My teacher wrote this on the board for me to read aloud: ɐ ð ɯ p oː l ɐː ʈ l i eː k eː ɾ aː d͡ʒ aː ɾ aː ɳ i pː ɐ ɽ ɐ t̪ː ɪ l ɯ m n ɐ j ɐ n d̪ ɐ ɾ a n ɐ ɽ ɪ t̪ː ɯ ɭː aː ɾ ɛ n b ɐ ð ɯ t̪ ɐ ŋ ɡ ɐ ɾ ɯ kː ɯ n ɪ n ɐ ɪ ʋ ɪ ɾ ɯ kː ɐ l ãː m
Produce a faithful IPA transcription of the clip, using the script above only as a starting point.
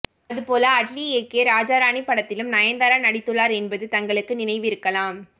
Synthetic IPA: ɐ ð ɯ p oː l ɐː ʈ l i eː k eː ɾ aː d͡ʒ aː ɾ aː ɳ i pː ɐ ɽ ɐ t̪ː ɪ l ɯ m n ɐ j ɐ n d̪ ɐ ɾ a n ɐ ɽ ɪ t̪ː ɯ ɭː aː ɾ ɛ n b ɐ ð ɯ t̪ ɐ ŋ ɡ ɐ ɭ ɯ kː ɯ n ɪ n ɐ ɪ ʋ ɪ ɾ ɯ kː ɐ l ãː m